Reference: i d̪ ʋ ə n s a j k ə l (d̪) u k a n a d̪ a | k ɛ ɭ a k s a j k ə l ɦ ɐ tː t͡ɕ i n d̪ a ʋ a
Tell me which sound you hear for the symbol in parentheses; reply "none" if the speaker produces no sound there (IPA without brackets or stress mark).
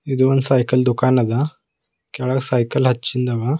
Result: d̪